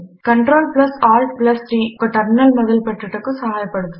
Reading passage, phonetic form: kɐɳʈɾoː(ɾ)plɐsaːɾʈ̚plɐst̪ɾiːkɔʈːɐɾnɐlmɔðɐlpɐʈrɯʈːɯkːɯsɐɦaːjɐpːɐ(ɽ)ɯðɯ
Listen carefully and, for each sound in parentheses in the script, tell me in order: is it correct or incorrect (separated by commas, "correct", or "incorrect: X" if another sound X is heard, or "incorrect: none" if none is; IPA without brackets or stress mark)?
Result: incorrect: l, correct